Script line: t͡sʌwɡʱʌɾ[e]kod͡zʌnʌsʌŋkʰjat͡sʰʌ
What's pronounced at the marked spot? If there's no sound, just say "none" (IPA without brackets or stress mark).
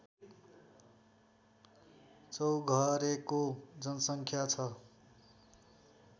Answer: e